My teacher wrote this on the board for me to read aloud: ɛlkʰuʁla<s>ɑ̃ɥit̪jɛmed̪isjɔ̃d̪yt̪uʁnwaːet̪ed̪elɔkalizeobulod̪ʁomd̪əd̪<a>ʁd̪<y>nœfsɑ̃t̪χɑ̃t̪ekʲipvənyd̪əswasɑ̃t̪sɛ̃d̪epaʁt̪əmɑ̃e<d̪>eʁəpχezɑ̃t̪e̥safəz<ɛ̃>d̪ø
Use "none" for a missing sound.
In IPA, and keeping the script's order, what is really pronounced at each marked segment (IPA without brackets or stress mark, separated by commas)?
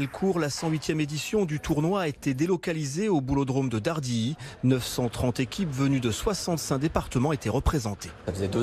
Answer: s, a, i, t̪, ɛ